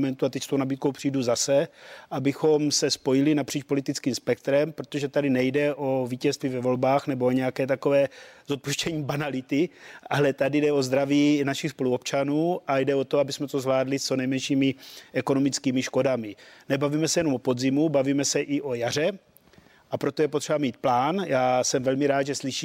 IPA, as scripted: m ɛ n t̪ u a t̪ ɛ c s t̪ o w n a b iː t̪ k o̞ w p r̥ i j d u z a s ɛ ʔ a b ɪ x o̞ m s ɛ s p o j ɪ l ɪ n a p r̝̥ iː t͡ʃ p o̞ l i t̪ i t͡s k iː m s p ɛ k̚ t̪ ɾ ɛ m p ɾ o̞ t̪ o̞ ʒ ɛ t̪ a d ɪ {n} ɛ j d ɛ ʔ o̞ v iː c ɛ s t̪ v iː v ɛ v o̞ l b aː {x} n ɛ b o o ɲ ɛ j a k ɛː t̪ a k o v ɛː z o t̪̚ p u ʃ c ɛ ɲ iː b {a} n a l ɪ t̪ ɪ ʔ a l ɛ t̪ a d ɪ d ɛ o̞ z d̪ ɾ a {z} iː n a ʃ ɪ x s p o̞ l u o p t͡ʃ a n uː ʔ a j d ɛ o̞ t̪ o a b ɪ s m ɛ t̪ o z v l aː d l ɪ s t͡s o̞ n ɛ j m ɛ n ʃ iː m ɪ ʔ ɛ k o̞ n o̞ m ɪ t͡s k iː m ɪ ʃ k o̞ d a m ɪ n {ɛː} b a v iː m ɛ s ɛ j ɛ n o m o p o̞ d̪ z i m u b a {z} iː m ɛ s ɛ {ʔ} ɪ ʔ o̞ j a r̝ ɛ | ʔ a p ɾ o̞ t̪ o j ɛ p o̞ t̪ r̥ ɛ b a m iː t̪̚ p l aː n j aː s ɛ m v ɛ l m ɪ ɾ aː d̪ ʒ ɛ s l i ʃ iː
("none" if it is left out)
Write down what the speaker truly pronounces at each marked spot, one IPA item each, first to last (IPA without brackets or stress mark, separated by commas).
n, x, a, v, ɛ, v, ʔ